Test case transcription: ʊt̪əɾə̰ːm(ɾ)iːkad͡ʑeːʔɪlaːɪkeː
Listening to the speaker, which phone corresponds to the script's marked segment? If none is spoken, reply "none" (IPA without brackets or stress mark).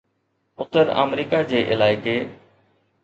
ɾ